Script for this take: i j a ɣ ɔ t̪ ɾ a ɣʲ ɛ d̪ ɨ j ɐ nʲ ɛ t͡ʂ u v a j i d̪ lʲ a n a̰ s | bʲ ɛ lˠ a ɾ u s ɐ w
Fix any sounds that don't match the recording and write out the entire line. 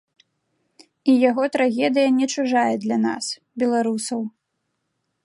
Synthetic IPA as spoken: i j a ɣ ɔ t̪ ɾ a ɣʲ ɛ d̪ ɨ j ɐ nʲ ɛ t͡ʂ u ʐ a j ɛ d̪ lʲ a n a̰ s | bʲ ɛ lˠ a ɾ u s ɐ w